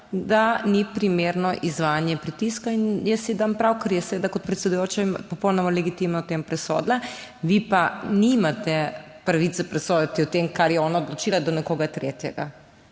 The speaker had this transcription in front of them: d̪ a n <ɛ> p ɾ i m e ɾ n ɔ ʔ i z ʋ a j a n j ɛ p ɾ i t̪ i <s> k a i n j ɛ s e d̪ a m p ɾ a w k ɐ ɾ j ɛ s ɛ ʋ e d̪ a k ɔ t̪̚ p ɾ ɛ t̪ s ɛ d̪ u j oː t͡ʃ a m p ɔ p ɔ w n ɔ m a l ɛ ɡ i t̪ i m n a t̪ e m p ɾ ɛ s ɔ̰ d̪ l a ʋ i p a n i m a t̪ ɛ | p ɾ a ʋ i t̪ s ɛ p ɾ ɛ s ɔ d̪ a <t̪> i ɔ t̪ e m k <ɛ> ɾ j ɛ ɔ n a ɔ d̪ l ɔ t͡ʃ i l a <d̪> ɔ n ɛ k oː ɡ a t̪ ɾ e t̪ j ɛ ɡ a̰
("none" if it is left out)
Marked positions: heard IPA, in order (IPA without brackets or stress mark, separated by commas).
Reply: i, s, t̪, a, d̪